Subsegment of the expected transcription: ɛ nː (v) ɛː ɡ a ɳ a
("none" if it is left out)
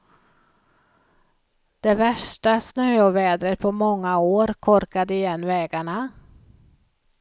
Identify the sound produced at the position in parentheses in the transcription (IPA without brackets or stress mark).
v